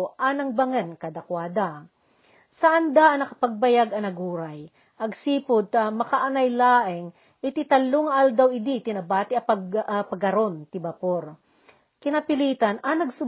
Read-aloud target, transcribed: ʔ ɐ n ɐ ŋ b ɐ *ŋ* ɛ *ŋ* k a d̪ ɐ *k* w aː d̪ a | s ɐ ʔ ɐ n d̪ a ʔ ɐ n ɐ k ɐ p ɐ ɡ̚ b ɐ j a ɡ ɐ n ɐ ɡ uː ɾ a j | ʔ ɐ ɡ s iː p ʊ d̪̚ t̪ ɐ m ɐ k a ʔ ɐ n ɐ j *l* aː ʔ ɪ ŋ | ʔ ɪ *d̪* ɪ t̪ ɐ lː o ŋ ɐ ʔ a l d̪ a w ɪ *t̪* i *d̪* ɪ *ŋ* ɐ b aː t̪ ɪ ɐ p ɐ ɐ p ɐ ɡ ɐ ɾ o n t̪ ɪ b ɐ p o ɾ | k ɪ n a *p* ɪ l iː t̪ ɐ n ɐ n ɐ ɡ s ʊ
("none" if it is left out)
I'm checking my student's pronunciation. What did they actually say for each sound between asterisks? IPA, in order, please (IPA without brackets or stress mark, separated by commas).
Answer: ŋ, n, k, l, t̪, d̪, t̪, n, p